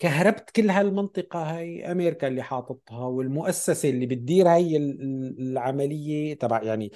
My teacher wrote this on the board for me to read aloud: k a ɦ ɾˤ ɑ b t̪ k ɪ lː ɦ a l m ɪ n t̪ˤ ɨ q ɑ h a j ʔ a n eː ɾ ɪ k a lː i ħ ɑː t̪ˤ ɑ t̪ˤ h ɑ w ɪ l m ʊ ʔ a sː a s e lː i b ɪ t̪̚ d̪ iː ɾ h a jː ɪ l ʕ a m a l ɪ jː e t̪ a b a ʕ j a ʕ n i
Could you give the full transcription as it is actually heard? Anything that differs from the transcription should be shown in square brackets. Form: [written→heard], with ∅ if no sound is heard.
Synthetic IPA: k a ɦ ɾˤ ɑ b t̪ k ɪ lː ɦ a l m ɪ n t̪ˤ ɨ q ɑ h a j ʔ a [n→m] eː ɾ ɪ k a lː i ħ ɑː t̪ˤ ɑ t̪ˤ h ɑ w ɪ l m ʊ ʔ a sː a s e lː i b ɪ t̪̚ d̪ iː ɾ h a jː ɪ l ʕ a m a l ɪ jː e t̪ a b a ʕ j a ʕ n i